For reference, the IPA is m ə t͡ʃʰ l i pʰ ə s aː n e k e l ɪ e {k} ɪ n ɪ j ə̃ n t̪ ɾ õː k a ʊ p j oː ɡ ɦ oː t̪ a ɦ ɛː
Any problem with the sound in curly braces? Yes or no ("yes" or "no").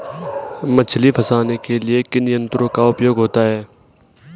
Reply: no